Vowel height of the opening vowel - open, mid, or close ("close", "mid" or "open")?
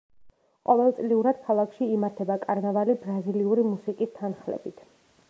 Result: mid